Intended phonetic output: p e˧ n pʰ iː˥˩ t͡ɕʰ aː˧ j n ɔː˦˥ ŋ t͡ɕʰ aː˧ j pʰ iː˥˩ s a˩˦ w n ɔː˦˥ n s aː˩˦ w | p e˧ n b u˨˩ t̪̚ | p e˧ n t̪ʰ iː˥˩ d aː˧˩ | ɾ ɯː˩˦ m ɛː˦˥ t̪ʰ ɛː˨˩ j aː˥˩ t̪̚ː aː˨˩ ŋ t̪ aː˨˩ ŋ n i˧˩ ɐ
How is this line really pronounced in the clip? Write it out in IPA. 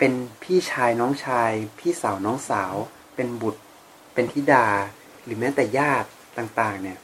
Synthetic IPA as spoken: p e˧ n pʰ iː˥˩ t͡ɕʰ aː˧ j n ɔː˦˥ ŋ t͡ɕʰ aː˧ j pʰ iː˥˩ s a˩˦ w n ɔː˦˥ ŋ s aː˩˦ w | p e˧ n b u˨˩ t̪̚ | p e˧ n t̪ʰ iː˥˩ d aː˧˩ | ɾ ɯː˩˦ m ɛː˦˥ t̪ ɛː˨˩ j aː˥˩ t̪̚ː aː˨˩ ŋ t̪ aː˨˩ ŋ n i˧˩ ɐ